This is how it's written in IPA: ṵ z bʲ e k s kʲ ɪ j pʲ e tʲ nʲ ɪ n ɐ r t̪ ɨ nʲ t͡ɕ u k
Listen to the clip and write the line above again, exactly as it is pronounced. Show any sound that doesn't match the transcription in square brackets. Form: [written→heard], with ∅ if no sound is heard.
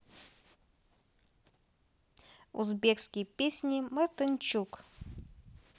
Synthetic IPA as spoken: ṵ z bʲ e k s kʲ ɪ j pʲ e [tʲ→sʲ] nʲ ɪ [n→m] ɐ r t̪ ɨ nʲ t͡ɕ u k